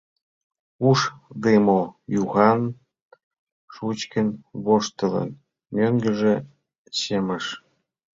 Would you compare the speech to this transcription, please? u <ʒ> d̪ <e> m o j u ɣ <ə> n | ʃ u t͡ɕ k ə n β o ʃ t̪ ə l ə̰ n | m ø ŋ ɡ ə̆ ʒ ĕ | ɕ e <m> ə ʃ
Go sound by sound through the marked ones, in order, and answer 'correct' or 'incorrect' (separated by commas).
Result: incorrect, correct, incorrect, correct